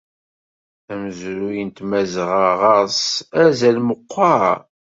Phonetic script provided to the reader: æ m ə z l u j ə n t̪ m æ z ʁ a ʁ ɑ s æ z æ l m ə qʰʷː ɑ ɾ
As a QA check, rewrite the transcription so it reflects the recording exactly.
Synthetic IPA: æ m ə z ɾ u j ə n t̪ m æ z ʁ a ʁ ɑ s æ z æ l m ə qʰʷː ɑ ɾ